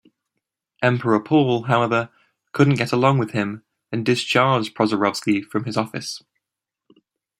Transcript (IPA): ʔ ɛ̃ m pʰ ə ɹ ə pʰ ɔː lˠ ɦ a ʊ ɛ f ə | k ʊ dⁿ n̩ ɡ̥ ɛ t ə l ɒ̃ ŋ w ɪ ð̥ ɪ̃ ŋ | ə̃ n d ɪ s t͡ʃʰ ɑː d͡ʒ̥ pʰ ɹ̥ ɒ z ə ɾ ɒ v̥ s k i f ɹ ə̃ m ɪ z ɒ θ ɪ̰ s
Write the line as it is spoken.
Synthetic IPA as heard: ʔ ɛ̃ m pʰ ə ɹ ə pʰ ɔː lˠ ɦ a ʊ ɛ v ə | kʰ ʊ dⁿ n̩ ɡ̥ ɛ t ə l ɒ̃ ŋ w ɪ ð̥ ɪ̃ m | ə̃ n d ɪ s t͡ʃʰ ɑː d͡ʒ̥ pʰ ɹ̥ ɒ z ə ɹ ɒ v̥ s k i f ɹ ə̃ m ɪ z ɒ f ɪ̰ s